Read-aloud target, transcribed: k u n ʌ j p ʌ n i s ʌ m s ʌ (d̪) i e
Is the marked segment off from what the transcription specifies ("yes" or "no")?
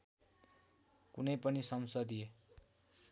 no